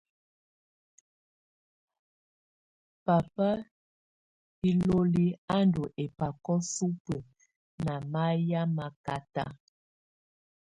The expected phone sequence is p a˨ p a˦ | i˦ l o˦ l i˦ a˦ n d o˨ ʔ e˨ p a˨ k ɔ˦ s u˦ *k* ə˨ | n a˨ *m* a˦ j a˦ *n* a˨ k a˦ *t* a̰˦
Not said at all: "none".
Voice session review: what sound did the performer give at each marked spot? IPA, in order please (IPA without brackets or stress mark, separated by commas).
p, m, m, t